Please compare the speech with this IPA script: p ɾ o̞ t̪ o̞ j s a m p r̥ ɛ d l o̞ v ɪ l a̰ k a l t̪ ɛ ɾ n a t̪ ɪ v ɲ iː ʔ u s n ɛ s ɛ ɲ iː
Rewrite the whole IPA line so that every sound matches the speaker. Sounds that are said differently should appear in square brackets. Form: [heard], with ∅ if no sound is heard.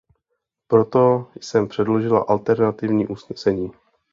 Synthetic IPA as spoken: p ɾ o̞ t̪ o̞ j s [ɛ] m p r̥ ɛ d l o̞ [ʒ] ɪ l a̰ [ʔ] a l t̪ ɛ ɾ n a t̪ ɪ v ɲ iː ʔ u s n ɛ s ɛ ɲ iː